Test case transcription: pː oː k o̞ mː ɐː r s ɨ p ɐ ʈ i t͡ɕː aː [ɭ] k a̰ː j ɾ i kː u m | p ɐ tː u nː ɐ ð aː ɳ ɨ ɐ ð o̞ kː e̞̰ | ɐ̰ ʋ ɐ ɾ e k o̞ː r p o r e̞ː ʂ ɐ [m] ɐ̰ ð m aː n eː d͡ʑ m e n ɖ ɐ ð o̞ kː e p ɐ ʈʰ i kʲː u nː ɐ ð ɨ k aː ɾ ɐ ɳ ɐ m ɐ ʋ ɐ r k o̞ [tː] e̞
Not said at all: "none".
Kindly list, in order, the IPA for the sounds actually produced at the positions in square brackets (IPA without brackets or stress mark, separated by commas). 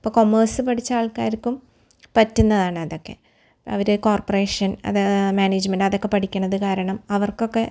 ɭ, n, kː